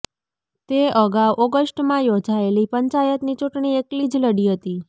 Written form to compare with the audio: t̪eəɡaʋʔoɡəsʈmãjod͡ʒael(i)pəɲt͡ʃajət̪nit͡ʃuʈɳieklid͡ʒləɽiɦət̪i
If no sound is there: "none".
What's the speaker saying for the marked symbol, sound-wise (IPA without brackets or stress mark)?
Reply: i